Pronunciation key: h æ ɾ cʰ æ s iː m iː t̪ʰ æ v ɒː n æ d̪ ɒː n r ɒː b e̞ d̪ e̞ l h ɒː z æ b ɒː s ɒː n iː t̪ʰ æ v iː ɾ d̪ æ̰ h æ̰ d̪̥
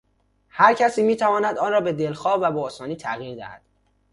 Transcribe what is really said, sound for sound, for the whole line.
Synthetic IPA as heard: h æ ɾ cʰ æ s iː m iː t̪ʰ æ v ɒː n æ d̪ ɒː n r ɒː b e̞ d̪ e̞ l x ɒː v æ b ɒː s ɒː n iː t̪ʰ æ ɣ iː ɾ d̪ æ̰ h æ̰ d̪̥